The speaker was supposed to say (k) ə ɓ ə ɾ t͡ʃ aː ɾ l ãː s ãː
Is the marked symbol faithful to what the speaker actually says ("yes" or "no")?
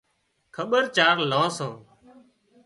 no